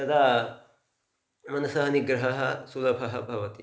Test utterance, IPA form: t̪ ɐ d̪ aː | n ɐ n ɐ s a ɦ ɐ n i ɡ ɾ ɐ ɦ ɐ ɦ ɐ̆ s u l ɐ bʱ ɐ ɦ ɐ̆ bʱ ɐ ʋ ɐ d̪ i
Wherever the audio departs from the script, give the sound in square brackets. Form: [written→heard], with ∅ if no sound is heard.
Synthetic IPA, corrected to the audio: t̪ ɐ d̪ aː | [n→m] ɐ n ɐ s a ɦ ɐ n i ɡ ɾ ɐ ɦ ɐ ɦ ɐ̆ s u l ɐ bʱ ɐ ɦ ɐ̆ bʱ ɐ ʋ ɐ [d̪→t̪] i

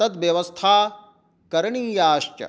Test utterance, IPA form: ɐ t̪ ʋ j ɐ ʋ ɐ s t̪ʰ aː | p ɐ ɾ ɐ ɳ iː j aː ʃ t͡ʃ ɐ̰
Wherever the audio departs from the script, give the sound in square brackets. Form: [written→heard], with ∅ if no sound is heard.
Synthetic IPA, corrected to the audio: ɐ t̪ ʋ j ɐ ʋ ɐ s t̪ʰ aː | [p→k] ɐ ɾ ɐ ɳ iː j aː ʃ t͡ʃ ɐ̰

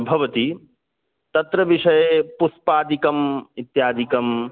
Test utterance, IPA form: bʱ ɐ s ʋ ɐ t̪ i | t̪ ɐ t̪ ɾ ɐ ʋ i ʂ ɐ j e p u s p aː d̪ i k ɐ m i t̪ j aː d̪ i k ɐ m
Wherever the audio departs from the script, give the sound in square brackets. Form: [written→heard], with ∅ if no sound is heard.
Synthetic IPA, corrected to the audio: bʱ ɐ [s→∅] ʋ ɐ t̪ i | t̪ ɐ t̪ ɾ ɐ ʋ i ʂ ɐ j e p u s p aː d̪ i k ɐ m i t̪ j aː d̪ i k ɐ m

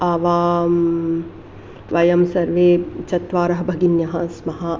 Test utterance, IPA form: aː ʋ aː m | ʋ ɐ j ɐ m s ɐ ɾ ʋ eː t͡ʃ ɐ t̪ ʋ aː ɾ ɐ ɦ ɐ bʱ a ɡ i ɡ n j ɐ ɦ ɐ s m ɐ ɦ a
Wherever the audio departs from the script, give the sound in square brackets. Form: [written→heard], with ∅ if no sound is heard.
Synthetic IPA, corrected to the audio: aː ʋ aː m | ʋ ɐ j ɐ m s ɐ ɾ ʋ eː t͡ʃ ɐ t̪ ʋ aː ɾ ɐ ɦ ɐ bʱ [a→ɐ] ɡ i [ɡ→∅] n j ɐ ɦ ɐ s m ɐ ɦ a

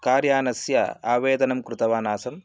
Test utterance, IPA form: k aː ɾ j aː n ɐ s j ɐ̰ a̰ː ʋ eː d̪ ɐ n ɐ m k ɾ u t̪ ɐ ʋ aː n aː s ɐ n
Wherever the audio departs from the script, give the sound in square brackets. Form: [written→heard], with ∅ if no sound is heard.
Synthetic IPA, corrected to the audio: k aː ɾ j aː n ɐ s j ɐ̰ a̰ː ʋ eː d̪ ɐ n ɐ m k ɾ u t̪ ɐ ʋ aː n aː s ɐ [n→m]

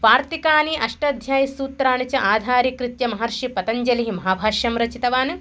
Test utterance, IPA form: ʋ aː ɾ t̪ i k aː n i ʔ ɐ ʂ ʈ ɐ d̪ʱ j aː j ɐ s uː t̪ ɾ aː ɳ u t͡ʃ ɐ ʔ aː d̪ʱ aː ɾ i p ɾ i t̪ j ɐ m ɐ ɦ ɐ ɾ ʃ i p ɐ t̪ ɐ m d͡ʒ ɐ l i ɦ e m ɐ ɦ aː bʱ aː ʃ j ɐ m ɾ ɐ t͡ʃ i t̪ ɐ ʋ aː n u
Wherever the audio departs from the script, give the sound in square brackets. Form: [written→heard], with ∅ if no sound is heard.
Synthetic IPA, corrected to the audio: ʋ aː ɾ t̪ i k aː n i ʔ ɐ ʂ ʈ ɐ d̪ʱ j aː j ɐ s uː t̪ ɾ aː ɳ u t͡ʃ ɐ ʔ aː d̪ʱ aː ɾ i [p→k] ɾ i t̪ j ɐ m ɐ ɦ ɐ ɾ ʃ i p ɐ t̪ ɐ [m→ɲ] d͡ʒ ɐ l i ɦ [e→i] m ɐ ɦ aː bʱ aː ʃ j ɐ m ɾ ɐ t͡ʃ i t̪ ɐ ʋ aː n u

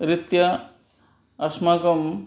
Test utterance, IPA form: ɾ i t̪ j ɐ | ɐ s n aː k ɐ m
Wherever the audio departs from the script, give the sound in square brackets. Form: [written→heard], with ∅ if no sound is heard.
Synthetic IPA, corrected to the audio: ɾ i t̪ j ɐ | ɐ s [n→m] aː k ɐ m

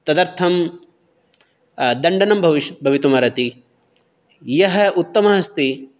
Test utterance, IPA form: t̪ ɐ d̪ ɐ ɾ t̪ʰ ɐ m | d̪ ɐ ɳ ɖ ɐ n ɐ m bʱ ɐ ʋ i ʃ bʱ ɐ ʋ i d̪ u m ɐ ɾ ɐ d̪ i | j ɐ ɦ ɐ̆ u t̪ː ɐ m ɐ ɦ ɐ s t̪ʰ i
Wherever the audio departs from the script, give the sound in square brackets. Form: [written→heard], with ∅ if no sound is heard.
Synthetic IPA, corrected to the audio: t̪ ɐ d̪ ɐ ɾ t̪ʰ ɐ m | d̪ ɐ ɳ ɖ ɐ n ɐ m bʱ ɐ ʋ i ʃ bʱ ɐ ʋ i [d̪→t̪] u m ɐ ɾ ɐ [d̪→t̪] i | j ɐ ɦ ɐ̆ u t̪ː ɐ m ɐ ɦ ɐ s [t̪ʰ→t̪] i

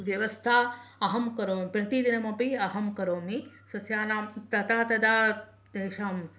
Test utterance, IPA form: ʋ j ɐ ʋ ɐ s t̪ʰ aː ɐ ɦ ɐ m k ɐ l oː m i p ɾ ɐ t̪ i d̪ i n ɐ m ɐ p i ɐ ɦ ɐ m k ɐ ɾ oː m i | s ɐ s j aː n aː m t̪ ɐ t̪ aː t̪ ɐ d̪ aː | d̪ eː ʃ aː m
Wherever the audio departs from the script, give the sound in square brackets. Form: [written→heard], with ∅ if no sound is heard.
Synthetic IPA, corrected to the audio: ʋ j ɐ ʋ ɐ s t̪ʰ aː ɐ ɦ ɐ m k ɐ [l→ɾ] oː m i p ɾ ɐ t̪ i d̪ i n ɐ m ɐ p i ɐ ɦ ɐ m k ɐ ɾ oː m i | s ɐ s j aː n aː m t̪ ɐ t̪ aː t̪ ɐ d̪ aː | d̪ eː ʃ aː m

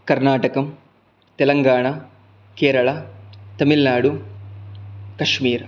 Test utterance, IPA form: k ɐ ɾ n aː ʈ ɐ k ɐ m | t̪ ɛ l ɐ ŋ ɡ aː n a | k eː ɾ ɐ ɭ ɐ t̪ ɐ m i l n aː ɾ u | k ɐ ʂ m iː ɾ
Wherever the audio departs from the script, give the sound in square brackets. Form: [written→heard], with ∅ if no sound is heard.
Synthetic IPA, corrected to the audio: k ɐ ɾ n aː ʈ ɐ k ɐ m | t̪ ɛ l ɐ ŋ ɡ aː [n→ɳ] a | k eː ɾ ɐ ɭ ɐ t̪ ɐ m i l n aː [ɾ→ɽ] u | k ɐ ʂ m iː ɾ

